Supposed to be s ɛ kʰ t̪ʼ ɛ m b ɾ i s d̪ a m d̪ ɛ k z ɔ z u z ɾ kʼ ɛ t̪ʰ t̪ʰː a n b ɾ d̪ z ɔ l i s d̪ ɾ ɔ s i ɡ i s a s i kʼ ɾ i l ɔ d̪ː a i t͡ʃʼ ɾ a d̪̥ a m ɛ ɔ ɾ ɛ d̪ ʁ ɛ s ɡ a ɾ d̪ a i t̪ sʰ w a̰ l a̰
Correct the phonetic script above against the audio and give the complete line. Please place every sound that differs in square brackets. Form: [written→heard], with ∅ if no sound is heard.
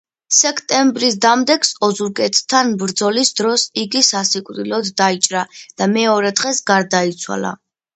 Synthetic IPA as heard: s ɛ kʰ t̪ʼ ɛ m b ɾ i s d̪ a m d̪ ɛ k [z→s] ɔ z u [z→∅] ɾ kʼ ɛ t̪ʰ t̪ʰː a n b ɾ d̪ z ɔ l i s d̪ ɾ ɔ s i ɡ i s a s i kʼ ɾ i l ɔ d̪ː a i t͡ʃʼ ɾ a d̪̥ a m ɛ ɔ ɾ ɛ d̪ ʁ ɛ s ɡ a ɾ d̪ a i t̪ sʰ w a̰ l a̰